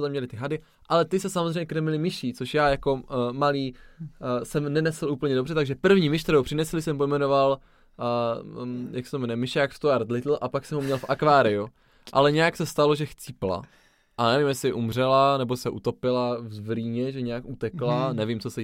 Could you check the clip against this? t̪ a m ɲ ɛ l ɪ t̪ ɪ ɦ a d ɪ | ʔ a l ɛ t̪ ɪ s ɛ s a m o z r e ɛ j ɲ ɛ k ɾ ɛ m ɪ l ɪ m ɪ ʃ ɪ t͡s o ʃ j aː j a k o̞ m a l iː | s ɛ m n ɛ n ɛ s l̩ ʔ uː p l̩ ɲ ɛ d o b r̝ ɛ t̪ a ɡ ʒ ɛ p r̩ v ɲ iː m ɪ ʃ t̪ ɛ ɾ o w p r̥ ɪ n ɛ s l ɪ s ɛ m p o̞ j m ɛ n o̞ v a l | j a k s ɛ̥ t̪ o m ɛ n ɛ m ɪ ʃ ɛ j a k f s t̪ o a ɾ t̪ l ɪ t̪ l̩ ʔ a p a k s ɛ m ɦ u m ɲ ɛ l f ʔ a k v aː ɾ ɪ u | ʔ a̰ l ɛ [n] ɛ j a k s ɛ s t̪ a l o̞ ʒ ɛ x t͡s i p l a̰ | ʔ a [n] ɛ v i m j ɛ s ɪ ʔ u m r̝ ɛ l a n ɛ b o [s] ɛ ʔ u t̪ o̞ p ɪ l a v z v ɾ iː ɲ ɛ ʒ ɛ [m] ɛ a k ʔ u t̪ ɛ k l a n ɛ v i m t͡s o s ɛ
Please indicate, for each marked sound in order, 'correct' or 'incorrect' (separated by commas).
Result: incorrect, correct, correct, incorrect